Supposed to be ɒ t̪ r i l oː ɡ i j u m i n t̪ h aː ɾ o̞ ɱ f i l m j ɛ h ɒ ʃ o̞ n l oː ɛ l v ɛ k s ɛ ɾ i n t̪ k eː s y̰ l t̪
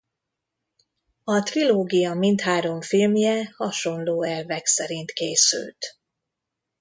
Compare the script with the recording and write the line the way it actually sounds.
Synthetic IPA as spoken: ɒ t̪ r i l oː ɡ i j ɒ m i n t̪ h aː ɾ o̞ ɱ f i l m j ɛ h ɒ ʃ o̞ n l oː ɛ l v ɛ k s ɛ ɾ i n t̪ k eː s y̰ l t̪